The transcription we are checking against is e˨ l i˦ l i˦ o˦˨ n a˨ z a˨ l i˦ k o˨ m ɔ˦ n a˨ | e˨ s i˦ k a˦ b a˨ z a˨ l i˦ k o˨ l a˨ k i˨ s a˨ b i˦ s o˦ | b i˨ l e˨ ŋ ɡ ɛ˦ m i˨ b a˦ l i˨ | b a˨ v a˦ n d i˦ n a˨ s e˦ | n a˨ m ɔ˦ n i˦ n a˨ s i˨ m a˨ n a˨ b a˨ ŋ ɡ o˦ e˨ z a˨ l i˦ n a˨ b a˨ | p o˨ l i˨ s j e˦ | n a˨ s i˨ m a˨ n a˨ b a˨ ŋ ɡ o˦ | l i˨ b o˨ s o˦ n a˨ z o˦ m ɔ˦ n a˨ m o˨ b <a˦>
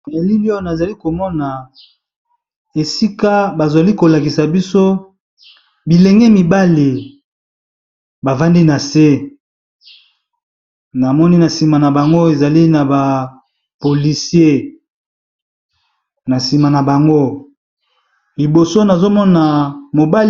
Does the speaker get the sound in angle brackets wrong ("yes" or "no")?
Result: no